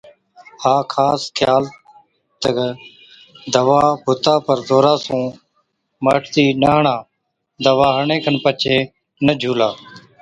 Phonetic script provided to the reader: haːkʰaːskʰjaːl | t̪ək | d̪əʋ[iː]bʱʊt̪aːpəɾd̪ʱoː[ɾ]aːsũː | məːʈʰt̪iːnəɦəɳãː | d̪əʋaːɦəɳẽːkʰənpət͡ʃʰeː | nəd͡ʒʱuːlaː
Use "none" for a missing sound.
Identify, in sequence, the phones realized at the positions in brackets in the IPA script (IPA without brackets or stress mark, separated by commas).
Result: aː, ɾ